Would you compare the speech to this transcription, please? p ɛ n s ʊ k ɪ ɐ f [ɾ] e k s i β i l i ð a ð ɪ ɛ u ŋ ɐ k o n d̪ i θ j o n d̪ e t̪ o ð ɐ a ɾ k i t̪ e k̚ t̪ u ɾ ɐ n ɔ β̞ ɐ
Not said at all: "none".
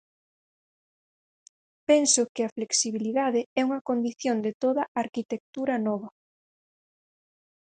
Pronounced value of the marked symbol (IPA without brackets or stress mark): l